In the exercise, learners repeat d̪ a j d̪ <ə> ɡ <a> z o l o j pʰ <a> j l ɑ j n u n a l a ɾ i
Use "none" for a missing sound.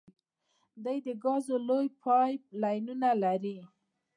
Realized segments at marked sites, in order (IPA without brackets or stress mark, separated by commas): ə, ɑ, ɑ